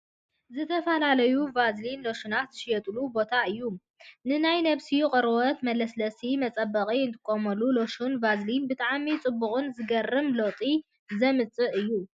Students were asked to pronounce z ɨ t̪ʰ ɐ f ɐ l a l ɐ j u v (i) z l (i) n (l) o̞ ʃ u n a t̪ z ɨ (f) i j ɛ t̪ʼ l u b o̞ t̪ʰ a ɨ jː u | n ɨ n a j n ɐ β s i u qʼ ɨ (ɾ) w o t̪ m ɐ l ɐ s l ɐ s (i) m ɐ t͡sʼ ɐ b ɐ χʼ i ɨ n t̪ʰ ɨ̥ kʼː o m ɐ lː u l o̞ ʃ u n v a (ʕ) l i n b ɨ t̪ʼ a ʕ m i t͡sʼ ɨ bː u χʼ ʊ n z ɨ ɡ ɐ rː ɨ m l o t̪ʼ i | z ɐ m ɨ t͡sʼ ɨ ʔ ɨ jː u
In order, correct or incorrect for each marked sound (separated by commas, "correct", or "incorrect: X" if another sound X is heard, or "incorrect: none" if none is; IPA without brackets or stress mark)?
incorrect: a, correct, correct, incorrect: ʃ, correct, correct, incorrect: z